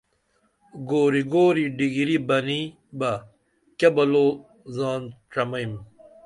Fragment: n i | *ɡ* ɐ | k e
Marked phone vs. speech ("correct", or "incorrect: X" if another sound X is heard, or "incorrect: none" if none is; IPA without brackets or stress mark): incorrect: b